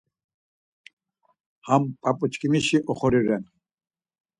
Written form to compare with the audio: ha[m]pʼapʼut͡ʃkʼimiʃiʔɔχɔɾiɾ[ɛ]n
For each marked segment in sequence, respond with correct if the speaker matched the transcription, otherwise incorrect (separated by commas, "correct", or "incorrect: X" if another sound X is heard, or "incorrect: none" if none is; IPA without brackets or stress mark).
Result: correct, correct